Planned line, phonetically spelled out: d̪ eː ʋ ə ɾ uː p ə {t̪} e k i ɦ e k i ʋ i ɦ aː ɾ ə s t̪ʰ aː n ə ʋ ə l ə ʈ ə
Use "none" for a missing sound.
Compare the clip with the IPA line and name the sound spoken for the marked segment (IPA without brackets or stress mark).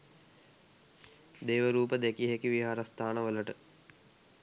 d̪